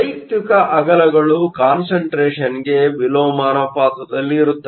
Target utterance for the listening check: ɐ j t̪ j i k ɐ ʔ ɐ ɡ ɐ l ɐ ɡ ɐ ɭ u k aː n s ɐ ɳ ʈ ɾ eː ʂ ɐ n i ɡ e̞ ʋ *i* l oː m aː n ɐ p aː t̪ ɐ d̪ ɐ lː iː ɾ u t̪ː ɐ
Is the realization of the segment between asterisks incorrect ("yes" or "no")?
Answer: no